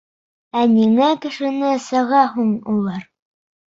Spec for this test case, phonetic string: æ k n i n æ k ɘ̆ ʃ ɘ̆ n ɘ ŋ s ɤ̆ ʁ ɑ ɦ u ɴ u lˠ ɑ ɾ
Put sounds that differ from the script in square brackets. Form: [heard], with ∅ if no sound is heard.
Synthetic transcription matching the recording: æ [∅] n i [ŋ] æ k ɘ̆ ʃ ɘ̆ n ɘ [∅] s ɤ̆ ʁ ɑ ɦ u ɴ u lˠ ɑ ɾ